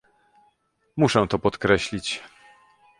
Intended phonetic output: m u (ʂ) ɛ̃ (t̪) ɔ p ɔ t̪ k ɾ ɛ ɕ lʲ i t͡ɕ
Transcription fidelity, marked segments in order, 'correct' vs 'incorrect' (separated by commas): correct, correct